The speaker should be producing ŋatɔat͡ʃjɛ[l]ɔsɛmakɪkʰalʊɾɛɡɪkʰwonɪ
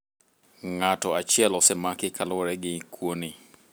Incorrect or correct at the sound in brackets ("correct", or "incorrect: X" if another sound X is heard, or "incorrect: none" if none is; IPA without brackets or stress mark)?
correct